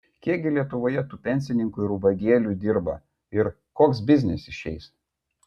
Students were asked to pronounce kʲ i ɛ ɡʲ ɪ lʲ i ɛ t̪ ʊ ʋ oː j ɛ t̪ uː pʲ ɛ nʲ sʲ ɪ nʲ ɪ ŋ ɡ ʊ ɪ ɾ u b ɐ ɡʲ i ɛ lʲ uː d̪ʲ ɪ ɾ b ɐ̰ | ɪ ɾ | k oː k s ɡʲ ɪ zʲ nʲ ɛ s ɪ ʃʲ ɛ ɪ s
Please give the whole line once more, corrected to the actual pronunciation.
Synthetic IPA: kʲ i ɛ ɡʲ ɪ lʲ i ɛ t̪ ʊ ʋ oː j ɛ t̪ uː pʲ ɛ nʲ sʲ ɪ nʲ ɪ ŋ k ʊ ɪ ɾ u b ɐ ɡʲ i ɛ lʲ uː d̪ʲ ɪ ɾ b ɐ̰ | ɪ ɾ | k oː k s bʲ ɪ zʲ nʲ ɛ s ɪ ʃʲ ɛ ɪ s